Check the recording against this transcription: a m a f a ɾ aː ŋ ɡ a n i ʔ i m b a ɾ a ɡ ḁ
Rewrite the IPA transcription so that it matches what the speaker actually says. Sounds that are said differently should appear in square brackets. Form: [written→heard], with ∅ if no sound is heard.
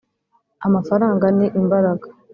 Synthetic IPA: a m a f a ɾ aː ŋ ɡ a n i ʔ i m b a ɾ a ɡ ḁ